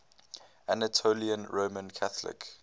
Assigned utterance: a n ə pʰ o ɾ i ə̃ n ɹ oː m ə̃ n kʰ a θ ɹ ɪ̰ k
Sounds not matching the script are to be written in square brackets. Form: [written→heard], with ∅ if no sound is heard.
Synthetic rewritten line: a n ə [pʰ→tʰ] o [ɾ→l] i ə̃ n ɹ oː m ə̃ n kʰ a θ [ɹ→l] ɪ̰ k

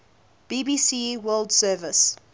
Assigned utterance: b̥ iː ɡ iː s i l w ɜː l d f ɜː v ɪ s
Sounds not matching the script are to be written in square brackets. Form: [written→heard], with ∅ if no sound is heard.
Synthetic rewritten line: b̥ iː [ɡ→b] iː s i [l→∅] w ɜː l d [f→s] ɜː v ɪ s

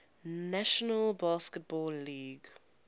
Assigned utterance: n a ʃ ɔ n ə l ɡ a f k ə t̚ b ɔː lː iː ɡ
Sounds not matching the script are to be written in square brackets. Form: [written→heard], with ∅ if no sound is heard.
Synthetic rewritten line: n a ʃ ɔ n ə l [ɡ→b] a [f→s] k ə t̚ b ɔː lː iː ɡ

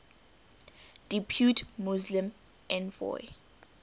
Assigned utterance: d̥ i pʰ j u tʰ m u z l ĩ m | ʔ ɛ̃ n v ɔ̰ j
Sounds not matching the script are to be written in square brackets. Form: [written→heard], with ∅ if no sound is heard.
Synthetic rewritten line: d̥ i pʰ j u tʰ m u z l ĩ m | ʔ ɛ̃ n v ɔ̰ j

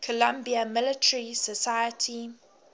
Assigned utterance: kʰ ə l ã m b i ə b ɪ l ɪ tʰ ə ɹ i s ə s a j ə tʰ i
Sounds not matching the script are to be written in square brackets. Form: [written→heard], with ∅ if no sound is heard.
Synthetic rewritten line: kʰ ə l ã m b i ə [b→m] ɪ l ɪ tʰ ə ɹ i s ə s a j ə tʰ i

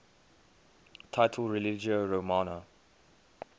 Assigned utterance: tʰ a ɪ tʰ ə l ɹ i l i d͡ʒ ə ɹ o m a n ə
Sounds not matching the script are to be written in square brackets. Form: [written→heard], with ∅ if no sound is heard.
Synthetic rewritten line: tʰ a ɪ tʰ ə l ɹ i l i d͡ʒ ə ɹ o m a n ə

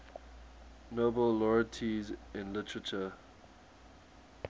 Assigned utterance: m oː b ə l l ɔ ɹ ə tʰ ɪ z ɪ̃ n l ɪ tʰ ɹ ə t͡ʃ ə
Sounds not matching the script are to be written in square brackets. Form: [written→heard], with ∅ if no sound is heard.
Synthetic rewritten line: [m→n] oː b ə l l ɔ ɹ ə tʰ [ɪ→i] z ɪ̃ n l ɪ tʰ ɹ ə t͡ʃ ə

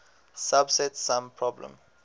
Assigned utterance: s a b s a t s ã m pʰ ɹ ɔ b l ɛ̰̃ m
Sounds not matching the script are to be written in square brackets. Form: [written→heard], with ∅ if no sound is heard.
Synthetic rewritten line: s a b s [a→ɛ] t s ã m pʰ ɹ ɔ b l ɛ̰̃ m

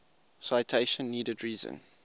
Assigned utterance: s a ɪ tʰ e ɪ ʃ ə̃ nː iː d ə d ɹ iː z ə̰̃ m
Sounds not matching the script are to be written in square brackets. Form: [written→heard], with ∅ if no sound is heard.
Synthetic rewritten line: s a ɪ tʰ e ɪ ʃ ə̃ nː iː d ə d ɹ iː z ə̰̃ [m→n]

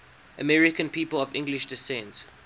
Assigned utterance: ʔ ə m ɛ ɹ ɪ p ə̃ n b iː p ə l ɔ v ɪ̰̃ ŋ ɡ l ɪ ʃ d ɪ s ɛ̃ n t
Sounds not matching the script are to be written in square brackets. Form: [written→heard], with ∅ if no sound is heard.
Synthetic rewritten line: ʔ ə m ɛ ɹ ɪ [p→k] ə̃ n [b→p] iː p ə l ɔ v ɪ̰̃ ŋ ɡ l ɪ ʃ d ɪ s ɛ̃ n t

